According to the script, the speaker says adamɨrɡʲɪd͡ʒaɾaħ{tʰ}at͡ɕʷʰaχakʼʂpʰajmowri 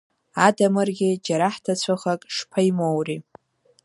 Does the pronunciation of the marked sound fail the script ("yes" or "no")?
no